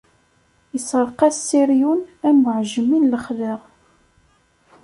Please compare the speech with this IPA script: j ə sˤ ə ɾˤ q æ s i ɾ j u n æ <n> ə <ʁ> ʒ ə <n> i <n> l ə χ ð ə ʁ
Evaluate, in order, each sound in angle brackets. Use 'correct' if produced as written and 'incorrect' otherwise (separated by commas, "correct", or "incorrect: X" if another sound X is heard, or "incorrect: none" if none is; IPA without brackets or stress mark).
incorrect: m, incorrect: ʕ, incorrect: m, correct